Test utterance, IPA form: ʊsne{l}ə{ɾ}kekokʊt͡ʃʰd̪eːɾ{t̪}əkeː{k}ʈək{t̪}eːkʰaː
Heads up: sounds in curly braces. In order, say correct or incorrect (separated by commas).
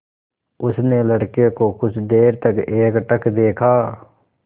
correct, incorrect, correct, correct, incorrect